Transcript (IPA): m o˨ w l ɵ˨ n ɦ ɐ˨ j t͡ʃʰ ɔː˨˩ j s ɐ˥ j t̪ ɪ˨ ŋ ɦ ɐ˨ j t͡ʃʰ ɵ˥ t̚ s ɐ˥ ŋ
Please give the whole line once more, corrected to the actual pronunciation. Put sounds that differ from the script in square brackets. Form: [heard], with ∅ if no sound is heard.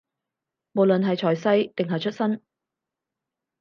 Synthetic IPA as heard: m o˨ w l ɵ˨ n ɦ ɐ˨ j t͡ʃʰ ɔː˨˩ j s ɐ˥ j t̪ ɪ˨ ŋ ɦ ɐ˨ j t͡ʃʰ ɵ˥ t̚ s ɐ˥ [n]